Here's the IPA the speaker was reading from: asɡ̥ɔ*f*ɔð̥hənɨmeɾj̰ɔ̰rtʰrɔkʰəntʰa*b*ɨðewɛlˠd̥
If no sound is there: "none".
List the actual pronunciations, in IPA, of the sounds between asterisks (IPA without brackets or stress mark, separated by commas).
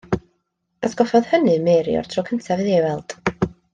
f, v